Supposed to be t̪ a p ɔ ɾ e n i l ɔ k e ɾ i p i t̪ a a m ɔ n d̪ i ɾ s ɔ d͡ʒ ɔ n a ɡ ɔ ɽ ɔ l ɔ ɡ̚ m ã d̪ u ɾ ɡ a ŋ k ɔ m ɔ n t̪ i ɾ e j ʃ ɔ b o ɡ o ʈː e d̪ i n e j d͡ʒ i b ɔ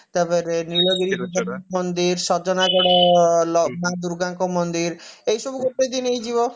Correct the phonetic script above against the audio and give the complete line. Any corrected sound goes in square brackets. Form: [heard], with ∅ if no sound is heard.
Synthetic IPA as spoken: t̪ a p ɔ ɾ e n i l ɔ [ɡ] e ɾ i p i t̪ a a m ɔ n d̪ i ɾ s ɔ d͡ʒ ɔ n a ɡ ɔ ɽ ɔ l ɔ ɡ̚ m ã d̪ u ɾ ɡ a ŋ k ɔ m ɔ n [d̪] i ɾ e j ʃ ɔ b [u] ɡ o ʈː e d̪ i n e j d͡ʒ i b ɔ